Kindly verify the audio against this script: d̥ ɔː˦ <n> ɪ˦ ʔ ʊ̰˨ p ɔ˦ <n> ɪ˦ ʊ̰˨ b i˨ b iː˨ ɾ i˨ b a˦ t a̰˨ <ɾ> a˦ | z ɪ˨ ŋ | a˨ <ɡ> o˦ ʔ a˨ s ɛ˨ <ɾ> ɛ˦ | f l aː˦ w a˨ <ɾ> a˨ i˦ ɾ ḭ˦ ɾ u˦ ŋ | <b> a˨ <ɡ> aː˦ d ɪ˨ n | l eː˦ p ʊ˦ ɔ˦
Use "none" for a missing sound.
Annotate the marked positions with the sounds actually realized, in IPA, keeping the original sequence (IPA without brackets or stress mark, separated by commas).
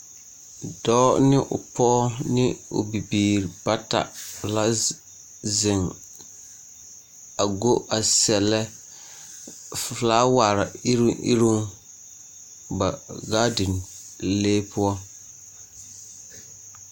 n, n, l, ɡ, l, ɾ, b, ɡ